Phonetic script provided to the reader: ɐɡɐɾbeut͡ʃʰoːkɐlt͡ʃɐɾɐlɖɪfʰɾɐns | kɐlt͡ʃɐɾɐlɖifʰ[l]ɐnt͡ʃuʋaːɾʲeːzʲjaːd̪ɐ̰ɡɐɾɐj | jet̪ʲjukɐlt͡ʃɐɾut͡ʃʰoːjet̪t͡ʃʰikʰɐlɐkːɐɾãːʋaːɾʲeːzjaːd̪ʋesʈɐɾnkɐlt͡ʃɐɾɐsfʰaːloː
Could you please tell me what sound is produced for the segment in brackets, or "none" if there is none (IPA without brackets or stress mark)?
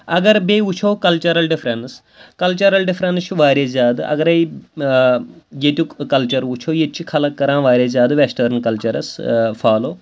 ɾ